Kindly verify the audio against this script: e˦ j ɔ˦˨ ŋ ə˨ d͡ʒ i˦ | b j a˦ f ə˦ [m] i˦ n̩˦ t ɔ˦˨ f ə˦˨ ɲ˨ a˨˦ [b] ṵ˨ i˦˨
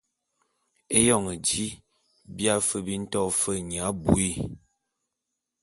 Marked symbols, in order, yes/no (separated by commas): no, yes